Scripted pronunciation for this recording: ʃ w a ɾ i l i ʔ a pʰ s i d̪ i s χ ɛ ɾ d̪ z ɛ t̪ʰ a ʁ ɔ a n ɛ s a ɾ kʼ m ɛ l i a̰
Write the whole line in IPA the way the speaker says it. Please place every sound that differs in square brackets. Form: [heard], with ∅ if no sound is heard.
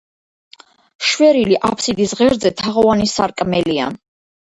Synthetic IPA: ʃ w [ɛ] ɾ i l i ʔ a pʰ s i d̪ i s [ʁ] ɛ ɾ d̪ z ɛ t̪ʰ a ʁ ɔ a n [i] s a ɾ kʼ m ɛ l i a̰